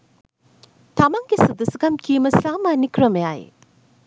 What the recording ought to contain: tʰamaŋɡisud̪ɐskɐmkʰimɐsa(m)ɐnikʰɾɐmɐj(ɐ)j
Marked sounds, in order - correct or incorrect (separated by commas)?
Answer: correct, incorrect